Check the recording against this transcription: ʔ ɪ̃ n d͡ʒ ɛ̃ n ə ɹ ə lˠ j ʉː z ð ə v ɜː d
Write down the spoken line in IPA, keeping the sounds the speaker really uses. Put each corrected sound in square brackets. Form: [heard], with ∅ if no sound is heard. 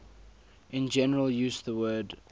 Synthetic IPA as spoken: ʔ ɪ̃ n d͡ʒ [ɛ] n ə ɹ ə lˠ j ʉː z ð ə [w] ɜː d